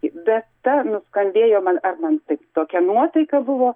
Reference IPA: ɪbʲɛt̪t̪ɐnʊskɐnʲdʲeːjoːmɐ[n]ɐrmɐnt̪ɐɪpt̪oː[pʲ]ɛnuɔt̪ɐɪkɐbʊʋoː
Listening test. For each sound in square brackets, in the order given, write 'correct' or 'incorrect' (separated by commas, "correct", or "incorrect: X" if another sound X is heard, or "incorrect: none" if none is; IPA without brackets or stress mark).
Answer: correct, incorrect: kʲ